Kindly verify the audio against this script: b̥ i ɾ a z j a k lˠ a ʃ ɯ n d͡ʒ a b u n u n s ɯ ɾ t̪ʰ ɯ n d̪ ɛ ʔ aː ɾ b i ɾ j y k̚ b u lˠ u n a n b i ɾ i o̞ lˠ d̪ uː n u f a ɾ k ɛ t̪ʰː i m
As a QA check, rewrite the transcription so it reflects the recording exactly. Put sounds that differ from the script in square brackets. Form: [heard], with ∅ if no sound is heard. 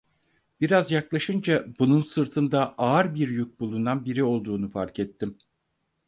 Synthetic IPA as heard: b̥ i ɾ a z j a k lˠ a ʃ ɯ n d͡ʒ a b u n u n s ɯ ɾ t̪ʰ ɯ n d̪ [a] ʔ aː ɾ b i ɾ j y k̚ b u lˠ u n a n b i ɾ i o̞ lˠ d̪ uː n u f a ɾ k ɛ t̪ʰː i m